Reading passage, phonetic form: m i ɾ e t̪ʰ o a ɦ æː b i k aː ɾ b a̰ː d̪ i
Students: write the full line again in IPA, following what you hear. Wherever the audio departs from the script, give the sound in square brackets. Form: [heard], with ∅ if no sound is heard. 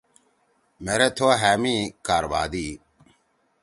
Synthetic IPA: m [e] ɾ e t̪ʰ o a ɦ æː [m] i k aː ɾ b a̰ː d̪ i